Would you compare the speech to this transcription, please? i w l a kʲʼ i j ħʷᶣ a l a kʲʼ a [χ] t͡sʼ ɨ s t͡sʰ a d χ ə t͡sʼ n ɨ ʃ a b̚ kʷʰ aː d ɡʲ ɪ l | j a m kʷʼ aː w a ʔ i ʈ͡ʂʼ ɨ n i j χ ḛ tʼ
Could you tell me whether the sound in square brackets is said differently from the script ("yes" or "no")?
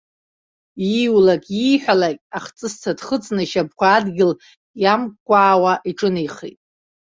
no